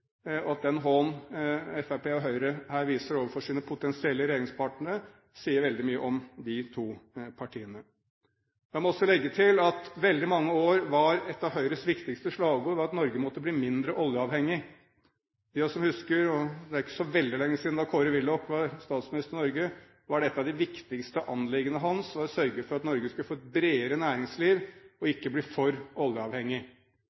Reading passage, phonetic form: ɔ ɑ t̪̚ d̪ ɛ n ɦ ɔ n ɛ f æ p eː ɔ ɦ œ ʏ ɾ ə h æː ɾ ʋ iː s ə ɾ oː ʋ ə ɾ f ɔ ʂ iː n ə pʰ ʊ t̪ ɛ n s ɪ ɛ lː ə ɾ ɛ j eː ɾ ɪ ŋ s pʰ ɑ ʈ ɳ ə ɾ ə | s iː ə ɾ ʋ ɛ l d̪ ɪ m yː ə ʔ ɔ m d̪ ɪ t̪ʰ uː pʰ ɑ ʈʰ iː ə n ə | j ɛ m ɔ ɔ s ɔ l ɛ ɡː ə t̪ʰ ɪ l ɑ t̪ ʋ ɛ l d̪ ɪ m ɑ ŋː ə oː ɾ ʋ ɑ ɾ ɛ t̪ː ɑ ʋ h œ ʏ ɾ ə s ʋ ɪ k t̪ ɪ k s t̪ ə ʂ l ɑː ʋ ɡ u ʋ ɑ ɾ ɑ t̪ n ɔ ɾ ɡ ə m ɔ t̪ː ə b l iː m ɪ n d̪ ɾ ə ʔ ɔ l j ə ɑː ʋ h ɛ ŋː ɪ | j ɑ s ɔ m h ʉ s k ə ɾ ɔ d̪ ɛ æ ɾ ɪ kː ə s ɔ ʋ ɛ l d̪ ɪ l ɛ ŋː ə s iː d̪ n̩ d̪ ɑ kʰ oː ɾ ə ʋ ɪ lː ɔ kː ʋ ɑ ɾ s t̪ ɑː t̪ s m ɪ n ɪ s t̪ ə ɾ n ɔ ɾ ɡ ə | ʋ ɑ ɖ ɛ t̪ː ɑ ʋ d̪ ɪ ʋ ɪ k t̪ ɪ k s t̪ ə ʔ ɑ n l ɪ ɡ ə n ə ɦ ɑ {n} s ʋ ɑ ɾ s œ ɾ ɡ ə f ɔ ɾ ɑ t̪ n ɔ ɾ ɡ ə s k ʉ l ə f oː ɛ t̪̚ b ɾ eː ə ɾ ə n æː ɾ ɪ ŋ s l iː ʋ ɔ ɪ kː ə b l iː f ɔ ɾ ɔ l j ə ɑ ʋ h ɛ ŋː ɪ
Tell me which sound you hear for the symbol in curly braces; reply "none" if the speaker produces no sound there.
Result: n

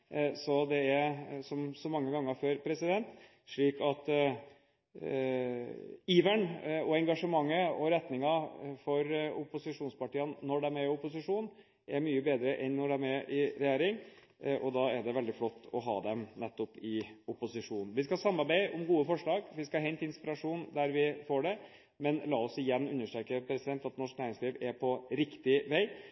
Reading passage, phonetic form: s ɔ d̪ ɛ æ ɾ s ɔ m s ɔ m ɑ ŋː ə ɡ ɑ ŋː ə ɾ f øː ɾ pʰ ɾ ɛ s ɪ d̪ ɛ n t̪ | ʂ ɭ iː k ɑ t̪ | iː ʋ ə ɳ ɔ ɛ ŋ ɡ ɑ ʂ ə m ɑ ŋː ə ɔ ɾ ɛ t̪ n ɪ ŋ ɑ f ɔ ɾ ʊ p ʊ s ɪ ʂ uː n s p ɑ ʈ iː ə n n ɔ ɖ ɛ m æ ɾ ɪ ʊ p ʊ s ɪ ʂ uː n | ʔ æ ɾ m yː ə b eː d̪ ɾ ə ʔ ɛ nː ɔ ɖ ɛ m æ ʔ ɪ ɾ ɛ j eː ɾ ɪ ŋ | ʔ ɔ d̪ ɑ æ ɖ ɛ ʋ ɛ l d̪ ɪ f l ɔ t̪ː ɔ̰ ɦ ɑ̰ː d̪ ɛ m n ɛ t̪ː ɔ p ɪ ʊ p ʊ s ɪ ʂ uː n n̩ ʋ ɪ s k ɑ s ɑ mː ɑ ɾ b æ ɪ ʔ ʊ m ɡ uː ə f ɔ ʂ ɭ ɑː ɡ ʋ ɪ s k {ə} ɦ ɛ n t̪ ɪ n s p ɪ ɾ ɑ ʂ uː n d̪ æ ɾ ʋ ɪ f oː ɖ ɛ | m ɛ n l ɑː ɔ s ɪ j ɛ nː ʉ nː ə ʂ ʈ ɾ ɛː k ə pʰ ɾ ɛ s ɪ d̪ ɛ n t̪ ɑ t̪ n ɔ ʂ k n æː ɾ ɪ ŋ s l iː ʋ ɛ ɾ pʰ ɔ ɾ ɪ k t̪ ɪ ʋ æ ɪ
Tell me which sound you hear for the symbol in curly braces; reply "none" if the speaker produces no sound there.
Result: ɑ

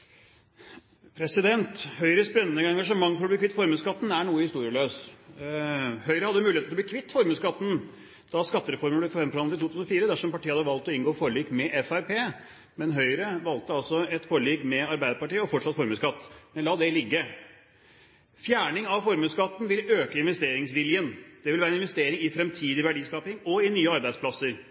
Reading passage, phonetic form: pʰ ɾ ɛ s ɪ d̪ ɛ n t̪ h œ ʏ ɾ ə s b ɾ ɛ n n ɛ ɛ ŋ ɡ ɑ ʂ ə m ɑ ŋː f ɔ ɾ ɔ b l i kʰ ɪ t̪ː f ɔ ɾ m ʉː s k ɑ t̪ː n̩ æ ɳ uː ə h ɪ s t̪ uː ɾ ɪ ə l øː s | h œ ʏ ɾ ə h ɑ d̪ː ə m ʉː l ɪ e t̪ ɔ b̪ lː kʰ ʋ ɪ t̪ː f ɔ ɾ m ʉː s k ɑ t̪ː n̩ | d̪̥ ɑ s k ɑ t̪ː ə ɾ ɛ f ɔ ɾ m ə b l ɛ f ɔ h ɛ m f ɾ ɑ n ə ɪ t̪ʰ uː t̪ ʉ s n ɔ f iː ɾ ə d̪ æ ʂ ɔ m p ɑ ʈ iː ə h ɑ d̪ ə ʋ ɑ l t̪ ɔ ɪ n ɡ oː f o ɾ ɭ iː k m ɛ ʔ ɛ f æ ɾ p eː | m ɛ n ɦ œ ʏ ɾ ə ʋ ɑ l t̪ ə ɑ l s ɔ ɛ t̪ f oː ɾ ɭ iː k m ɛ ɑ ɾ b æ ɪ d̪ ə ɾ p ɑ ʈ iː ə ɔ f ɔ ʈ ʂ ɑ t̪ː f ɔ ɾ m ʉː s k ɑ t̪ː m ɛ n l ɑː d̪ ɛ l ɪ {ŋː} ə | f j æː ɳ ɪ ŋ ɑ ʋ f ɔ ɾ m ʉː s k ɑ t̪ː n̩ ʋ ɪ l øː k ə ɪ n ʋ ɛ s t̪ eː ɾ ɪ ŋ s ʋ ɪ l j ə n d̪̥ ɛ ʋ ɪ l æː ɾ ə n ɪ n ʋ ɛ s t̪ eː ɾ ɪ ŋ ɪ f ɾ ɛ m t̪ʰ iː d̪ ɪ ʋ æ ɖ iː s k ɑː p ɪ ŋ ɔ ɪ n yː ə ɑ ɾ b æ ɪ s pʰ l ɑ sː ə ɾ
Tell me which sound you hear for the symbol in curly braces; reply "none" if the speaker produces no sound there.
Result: ɡː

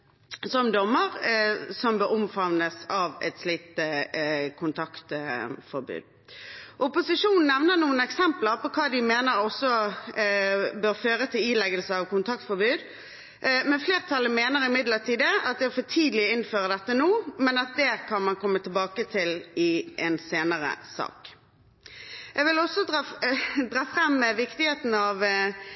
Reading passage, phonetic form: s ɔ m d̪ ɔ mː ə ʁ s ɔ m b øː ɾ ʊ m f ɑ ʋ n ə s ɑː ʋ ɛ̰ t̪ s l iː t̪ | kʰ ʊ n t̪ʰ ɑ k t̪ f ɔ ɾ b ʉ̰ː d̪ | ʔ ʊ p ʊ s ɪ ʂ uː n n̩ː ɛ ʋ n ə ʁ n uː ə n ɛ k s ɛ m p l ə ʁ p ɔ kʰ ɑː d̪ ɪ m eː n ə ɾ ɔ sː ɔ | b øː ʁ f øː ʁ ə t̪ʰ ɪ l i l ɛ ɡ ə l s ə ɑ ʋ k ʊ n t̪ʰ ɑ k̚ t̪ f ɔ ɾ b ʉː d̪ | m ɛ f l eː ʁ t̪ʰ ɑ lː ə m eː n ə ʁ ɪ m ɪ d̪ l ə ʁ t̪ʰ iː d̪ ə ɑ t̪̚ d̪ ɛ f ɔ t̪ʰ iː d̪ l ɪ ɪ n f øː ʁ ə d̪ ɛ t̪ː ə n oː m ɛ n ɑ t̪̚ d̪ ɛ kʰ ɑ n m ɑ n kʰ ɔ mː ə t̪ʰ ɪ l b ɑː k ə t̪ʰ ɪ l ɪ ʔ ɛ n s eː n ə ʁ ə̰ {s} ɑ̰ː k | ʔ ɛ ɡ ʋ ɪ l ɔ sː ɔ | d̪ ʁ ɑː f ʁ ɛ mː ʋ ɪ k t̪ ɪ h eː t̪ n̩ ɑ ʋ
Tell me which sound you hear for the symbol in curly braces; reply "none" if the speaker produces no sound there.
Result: s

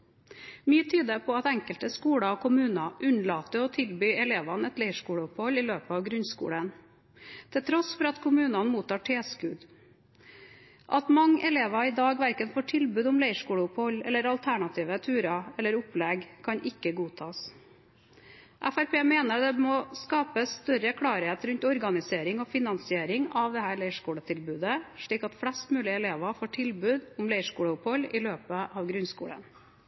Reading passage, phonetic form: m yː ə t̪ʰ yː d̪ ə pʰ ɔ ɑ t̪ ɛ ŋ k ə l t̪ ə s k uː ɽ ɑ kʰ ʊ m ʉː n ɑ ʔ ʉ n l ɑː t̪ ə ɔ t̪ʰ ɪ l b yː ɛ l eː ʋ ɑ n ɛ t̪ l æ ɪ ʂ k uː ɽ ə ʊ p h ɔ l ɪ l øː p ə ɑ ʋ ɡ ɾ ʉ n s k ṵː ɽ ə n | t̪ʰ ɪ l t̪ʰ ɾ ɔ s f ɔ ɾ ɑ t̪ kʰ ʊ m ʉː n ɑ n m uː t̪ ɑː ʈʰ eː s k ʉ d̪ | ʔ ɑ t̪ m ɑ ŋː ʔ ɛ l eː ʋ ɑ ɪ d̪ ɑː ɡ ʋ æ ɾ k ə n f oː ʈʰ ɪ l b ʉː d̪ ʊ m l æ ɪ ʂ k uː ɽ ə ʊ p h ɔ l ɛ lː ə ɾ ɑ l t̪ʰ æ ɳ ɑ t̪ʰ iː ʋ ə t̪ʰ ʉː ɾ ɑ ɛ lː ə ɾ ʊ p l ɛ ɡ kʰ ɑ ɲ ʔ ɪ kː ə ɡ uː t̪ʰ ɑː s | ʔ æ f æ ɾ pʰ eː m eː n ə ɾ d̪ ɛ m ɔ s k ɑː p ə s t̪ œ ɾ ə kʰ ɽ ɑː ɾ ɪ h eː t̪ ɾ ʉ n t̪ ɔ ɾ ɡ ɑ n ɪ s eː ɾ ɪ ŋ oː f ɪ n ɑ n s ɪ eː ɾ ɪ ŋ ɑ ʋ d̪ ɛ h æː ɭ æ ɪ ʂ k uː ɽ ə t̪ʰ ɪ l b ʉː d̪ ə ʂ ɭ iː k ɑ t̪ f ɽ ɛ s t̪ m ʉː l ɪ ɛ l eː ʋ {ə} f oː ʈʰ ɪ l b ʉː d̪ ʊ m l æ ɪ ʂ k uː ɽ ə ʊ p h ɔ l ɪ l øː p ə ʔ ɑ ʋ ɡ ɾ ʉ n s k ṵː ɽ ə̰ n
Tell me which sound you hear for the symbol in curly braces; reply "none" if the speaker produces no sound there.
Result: ɑ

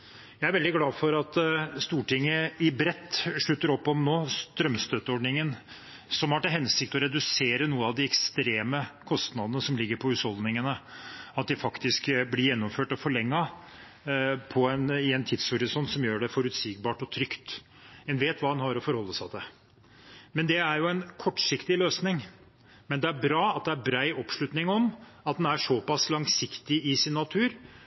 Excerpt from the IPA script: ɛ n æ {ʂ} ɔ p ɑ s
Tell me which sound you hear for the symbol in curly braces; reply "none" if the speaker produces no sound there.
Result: ʂ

